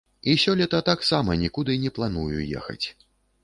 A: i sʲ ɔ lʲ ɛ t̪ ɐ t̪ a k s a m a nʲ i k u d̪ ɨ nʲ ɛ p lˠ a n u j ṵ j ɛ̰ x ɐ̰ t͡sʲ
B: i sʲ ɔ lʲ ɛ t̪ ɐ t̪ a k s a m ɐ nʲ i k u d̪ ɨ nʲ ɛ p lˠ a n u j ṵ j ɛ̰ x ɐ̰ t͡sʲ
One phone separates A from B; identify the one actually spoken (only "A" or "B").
B